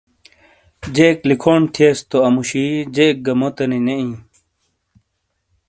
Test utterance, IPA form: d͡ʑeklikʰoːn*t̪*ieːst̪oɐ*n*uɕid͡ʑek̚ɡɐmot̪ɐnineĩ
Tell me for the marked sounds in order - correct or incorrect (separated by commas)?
incorrect, incorrect